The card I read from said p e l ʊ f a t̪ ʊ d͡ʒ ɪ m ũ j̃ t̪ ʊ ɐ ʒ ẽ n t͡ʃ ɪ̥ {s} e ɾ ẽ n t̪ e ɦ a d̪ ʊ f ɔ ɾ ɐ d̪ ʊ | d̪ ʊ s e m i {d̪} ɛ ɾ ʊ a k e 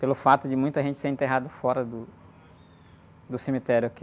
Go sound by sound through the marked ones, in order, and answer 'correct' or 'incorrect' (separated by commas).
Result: correct, incorrect